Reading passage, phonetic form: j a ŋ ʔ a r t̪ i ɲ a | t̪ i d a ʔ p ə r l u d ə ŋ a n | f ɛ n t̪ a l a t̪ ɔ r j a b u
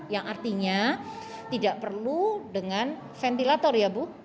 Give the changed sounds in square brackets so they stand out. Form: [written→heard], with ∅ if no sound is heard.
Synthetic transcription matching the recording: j a ŋ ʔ a r t̪ i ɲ a | t̪ i d a ʔ p ə r l u d ə ŋ a n | f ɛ n t̪ [a→i] l a t̪ ɔ r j a b u